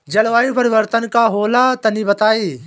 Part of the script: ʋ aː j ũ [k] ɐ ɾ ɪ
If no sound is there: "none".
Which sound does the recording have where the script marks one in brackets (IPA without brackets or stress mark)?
p